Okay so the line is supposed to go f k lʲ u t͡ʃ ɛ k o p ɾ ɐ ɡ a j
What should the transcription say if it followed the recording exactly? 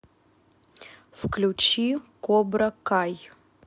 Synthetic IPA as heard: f k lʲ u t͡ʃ i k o b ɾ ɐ k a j